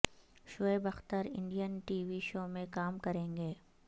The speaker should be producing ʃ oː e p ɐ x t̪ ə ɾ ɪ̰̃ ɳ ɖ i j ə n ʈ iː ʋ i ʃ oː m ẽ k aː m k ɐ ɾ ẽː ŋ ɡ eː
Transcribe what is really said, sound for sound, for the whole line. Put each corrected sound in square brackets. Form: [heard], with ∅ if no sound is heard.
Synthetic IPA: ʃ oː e [b] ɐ x t̪ ə ɾ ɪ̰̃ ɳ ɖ i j ə n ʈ iː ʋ i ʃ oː m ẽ k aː m k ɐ ɾ ẽː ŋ ɡ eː